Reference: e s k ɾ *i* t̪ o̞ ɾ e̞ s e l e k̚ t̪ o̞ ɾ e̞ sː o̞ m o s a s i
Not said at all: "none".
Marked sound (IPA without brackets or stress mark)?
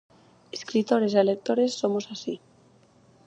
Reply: i